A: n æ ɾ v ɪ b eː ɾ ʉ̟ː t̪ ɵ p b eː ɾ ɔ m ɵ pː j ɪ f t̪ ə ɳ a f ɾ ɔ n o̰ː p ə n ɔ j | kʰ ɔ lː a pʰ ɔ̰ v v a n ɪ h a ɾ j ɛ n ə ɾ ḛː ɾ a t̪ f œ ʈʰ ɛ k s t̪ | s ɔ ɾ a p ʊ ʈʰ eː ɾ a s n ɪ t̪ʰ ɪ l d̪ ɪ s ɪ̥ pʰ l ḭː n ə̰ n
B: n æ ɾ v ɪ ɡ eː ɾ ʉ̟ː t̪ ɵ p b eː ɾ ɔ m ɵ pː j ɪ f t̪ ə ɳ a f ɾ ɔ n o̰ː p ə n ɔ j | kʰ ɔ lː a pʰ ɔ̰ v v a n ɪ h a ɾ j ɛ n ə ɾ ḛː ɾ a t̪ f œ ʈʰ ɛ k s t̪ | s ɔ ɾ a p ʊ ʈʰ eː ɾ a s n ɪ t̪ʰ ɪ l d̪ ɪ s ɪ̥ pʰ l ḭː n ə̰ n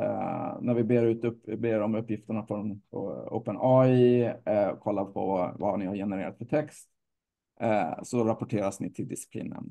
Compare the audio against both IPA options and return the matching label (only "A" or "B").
A